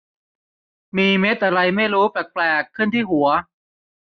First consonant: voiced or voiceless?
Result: voiced